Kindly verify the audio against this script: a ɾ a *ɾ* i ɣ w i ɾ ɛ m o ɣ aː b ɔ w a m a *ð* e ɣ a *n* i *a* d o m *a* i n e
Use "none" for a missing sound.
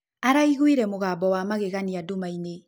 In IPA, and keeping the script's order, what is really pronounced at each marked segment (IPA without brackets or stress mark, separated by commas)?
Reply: none, ɣ, n, a, a